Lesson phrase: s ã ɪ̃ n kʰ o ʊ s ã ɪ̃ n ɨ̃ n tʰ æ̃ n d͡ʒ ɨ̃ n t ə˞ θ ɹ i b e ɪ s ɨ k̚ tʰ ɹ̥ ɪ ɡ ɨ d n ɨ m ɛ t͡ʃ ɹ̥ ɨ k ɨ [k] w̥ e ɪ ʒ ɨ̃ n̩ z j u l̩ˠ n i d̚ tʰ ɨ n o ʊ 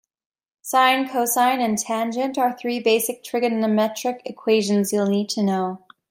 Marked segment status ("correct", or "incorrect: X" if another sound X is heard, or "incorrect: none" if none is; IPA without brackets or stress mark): incorrect: kʰ